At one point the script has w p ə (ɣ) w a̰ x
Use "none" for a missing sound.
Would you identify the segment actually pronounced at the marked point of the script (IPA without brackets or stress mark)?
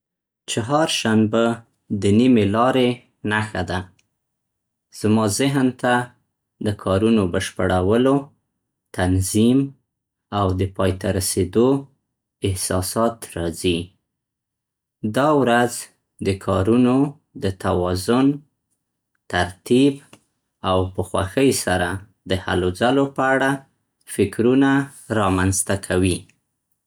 x